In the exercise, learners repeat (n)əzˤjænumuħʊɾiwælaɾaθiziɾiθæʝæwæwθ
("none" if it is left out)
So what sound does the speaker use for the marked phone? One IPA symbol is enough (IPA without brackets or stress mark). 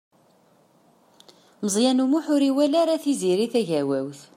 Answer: m